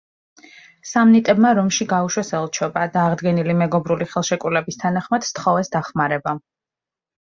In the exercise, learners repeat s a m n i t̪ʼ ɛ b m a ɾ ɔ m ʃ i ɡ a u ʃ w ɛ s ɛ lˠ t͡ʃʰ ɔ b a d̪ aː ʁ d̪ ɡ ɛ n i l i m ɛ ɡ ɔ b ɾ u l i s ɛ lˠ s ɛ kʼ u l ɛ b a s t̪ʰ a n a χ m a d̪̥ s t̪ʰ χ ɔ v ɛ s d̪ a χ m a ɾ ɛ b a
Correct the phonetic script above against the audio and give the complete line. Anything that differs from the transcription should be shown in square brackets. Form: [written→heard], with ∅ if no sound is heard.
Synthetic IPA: s a m n i t̪ʼ ɛ b m a ɾ ɔ m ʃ i ɡ a u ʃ w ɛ s ɛ lˠ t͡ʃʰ ɔ b a d̪ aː ʁ d̪ ɡ ɛ n i l i m ɛ ɡ ɔ b ɾ u l i [s→χ] ɛ lˠ [s→ʃ] ɛ kʼ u l ɛ b [a→i] s t̪ʰ a n a χ m a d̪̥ s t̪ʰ χ ɔ v ɛ s d̪ a χ m a ɾ ɛ b a

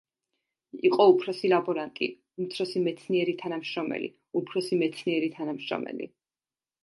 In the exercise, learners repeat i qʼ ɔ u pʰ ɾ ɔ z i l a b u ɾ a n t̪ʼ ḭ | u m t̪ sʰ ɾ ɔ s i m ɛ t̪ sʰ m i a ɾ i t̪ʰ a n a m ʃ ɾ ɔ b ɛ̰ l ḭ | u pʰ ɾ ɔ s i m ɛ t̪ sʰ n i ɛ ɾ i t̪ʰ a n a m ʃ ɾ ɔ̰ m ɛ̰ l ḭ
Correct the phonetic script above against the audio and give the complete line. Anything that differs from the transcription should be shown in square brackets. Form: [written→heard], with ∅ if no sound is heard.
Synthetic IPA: i qʼ ɔ u pʰ ɾ ɔ [z→s] i l a b [u→ɔ] ɾ a n t̪ʼ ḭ | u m t̪ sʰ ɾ ɔ s i m ɛ t̪ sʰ [m→n] i [a→ɛ] ɾ i t̪ʰ a n a m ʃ ɾ ɔ [b→m] ɛ̰ l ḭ | u pʰ ɾ ɔ s i m ɛ t̪ sʰ n i ɛ ɾ i t̪ʰ a n a m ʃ ɾ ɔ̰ m ɛ̰ l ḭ

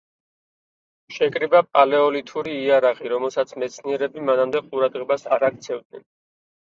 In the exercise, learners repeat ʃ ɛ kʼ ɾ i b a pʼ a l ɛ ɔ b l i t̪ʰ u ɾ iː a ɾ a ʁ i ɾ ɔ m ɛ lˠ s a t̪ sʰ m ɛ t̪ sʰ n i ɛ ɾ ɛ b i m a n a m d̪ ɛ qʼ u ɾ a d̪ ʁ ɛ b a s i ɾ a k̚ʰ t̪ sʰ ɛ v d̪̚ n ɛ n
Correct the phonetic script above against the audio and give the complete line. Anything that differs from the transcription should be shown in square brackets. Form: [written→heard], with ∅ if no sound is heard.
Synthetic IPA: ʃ ɛ kʼ ɾ i b a pʼ a l ɛ ɔ [b→∅] l i t̪ʰ u ɾ iː a ɾ a ʁ i ɾ ɔ m ɛ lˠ s a t̪ sʰ m ɛ t̪ sʰ n i ɛ ɾ ɛ b i m a n a m d̪ ɛ qʼ u ɾ a d̪ ʁ ɛ b a s [i→a] ɾ a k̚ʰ t̪ sʰ ɛ v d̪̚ n ɛ n

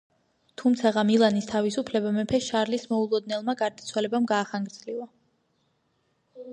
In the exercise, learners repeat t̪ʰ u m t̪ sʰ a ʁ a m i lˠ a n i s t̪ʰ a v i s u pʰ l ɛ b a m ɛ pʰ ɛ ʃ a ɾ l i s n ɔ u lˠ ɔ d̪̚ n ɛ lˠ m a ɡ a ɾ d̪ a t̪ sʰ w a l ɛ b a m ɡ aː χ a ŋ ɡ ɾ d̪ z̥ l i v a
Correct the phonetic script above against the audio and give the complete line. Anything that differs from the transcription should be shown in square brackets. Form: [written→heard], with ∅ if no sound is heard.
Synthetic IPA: t̪ʰ u m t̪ sʰ a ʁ a m i lˠ a n i s t̪ʰ a v i s u pʰ l ɛ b a m ɛ pʰ ɛ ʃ a ɾ l i s [n→m] ɔ u lˠ ɔ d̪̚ n ɛ lˠ m a ɡ a ɾ d̪ a t̪ sʰ w a l ɛ b a m ɡ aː χ a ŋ ɡ ɾ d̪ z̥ l i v a

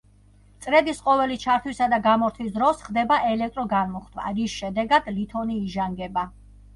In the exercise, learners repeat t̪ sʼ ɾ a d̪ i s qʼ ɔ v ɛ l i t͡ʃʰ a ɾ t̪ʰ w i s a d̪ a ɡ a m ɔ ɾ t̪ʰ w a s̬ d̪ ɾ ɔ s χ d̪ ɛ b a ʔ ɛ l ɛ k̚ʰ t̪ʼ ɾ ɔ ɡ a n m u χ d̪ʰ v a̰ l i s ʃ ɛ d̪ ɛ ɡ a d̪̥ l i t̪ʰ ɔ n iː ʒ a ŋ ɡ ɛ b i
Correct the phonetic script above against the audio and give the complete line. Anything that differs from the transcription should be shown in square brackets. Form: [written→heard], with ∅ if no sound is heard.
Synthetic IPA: t̪ sʼ ɾ [a→ɛ] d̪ i s qʼ ɔ v ɛ l i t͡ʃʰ a ɾ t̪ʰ w i s a d̪ a ɡ a m ɔ ɾ t̪ʰ w [a→i] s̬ d̪ ɾ ɔ s χ d̪ ɛ b a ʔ ɛ l ɛ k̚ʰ t̪ʼ ɾ ɔ ɡ a n m [u→ɔ] χ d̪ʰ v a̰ [l→ɾ] i s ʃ ɛ d̪ ɛ ɡ a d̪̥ l i t̪ʰ ɔ n iː ʒ a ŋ ɡ ɛ b [i→a]

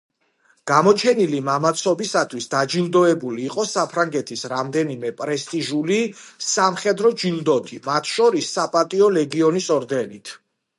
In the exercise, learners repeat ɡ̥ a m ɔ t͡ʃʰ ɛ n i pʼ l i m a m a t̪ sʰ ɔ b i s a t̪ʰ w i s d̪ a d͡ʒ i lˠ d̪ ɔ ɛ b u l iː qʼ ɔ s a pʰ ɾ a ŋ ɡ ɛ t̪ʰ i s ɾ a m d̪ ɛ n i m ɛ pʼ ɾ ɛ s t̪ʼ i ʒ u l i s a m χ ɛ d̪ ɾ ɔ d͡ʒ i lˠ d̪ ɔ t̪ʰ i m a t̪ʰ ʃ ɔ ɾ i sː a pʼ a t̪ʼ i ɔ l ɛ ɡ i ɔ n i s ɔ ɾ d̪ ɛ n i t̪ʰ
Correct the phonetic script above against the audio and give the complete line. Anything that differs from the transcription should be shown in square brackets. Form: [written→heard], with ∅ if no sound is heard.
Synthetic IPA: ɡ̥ a m ɔ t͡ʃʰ ɛ n i [pʼ→∅] l i m a m a t̪ sʰ ɔ b i s a t̪ʰ w i s d̪ a d͡ʒ i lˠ d̪ ɔ ɛ b u l iː qʼ ɔ s a pʰ ɾ a ŋ ɡ ɛ t̪ʰ i s ɾ a m d̪ ɛ n i m ɛ pʼ ɾ ɛ s t̪ʼ i ʒ u l i s a m χ ɛ d̪ ɾ ɔ d͡ʒ i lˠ d̪ ɔ t̪ʰ i m a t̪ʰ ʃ ɔ ɾ i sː a pʼ a t̪ʼ i ɔ l ɛ ɡ i ɔ n i s ɔ ɾ d̪ ɛ n i t̪ʰ

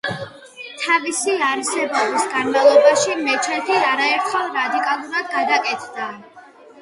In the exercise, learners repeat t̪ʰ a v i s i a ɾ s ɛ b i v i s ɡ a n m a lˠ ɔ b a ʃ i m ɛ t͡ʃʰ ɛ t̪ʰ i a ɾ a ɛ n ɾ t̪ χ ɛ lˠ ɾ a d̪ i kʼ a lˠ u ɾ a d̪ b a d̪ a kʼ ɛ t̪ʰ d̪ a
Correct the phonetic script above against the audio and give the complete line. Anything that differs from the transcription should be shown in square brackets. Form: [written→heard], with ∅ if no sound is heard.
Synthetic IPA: t̪ʰ a v i s i a ɾ s ɛ b [i→a] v i s ɡ a n m a lˠ ɔ b a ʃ i m ɛ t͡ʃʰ ɛ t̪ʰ i a ɾ a ɛ [n→∅] ɾ t̪ χ ɛ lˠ ɾ a d̪ i kʼ a lˠ u ɾ a d̪ [b→ɡ] a d̪ a kʼ ɛ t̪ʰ d̪ a

